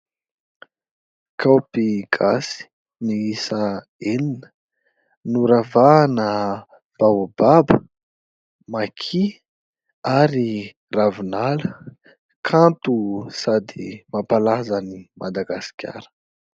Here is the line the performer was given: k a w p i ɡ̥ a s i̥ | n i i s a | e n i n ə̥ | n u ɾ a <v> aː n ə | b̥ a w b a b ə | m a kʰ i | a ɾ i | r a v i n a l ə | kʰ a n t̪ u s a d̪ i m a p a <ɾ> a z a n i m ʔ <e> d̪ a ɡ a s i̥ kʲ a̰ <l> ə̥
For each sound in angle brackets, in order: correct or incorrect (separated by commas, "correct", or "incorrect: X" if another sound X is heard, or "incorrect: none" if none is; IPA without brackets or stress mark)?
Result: correct, incorrect: l, incorrect: a, incorrect: ɾ